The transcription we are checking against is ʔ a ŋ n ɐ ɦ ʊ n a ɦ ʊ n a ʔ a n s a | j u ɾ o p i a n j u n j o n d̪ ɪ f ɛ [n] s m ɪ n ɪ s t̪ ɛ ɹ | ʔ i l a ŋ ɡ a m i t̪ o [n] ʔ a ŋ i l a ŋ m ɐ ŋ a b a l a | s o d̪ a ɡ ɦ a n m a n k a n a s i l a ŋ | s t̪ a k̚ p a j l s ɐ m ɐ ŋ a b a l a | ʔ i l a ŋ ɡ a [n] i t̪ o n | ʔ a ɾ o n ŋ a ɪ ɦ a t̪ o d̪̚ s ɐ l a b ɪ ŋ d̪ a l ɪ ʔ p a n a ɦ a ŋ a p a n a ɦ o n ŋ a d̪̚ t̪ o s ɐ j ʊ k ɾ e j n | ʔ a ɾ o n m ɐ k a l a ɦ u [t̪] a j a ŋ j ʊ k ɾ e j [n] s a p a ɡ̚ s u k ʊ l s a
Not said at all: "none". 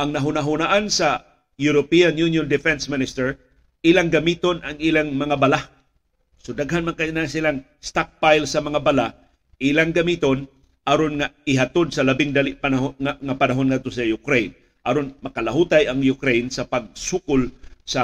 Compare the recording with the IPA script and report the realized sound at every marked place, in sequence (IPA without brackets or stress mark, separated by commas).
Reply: n, n, m, t̪, n